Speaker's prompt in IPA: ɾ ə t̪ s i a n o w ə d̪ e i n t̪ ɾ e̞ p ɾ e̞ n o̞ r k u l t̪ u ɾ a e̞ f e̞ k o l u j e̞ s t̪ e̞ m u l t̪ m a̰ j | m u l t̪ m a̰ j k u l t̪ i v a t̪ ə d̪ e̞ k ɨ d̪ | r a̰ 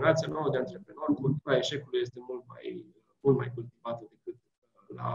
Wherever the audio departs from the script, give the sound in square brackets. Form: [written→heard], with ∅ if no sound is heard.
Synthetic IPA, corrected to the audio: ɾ [ə→a] t̪ s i a n o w ə d̪ e [i→a] n t̪ ɾ e̞ p ɾ e̞ n o̞ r k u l t̪ u ɾ a e̞ [f→ʃ] e̞ k [o→u] l u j e̞ s t̪ e̞ m u l t̪ m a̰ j | m u l t̪ m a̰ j k u l t̪ i v a t̪ ə d̪ e̞ k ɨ [d̪→t̪] | [r→l] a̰